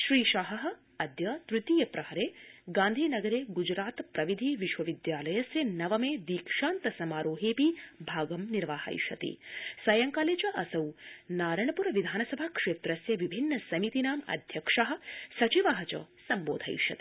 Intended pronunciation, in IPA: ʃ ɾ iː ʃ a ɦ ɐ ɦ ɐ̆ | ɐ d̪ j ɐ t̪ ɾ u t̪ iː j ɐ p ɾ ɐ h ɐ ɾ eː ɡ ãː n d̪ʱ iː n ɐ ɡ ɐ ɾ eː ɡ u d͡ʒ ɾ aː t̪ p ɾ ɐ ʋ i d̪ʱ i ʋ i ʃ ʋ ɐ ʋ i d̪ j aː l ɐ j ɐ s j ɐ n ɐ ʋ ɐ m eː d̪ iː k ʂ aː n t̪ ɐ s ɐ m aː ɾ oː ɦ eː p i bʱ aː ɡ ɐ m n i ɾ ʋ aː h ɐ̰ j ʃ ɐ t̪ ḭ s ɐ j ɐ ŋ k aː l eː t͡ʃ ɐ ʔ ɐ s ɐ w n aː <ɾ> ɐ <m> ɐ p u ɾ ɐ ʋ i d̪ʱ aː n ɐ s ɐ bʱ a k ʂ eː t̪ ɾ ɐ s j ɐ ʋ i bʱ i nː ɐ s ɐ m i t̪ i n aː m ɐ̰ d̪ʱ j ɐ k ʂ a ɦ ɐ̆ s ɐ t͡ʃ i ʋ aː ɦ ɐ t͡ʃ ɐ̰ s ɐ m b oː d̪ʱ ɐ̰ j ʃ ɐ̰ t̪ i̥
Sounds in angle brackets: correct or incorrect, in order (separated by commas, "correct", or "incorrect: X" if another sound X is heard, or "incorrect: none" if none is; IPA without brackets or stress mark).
correct, incorrect: ɳ